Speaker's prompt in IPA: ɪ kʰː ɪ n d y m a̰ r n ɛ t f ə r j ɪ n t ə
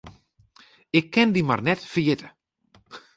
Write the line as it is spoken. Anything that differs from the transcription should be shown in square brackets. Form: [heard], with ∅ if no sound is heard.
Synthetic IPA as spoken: ɪ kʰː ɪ n d [i] m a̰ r n ɛ t f ə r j ɪ [∅] t ə